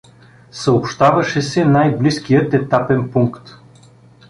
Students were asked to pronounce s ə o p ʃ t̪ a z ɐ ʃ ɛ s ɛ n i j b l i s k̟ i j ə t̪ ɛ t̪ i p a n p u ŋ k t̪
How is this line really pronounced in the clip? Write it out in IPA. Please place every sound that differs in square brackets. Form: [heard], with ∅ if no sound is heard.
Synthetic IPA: s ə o p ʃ t̪ a [v] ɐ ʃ ɛ s ɛ n [a] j b l i s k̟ i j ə t̪ ɛ t̪ [a] p [ɛ] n p u ŋ k t̪